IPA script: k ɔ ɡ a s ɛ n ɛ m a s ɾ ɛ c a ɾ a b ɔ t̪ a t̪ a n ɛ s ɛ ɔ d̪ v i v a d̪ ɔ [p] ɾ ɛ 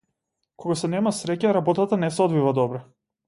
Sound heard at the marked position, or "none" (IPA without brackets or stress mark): b